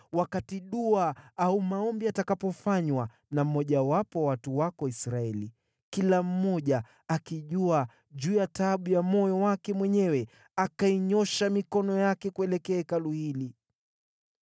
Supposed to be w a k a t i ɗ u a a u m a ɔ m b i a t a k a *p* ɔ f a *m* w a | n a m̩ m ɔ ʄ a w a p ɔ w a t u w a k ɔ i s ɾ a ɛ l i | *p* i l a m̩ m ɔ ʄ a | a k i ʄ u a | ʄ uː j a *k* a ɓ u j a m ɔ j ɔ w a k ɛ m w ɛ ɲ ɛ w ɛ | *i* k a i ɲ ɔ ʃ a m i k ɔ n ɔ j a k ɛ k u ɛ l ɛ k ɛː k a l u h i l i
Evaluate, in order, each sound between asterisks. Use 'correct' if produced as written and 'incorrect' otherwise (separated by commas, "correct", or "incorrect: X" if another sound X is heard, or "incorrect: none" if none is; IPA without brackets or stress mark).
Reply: correct, incorrect: ɲ, incorrect: k, incorrect: t, incorrect: a